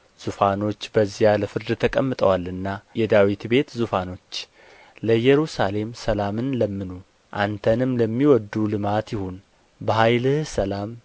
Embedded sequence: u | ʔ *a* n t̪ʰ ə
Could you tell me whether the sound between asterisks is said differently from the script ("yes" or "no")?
no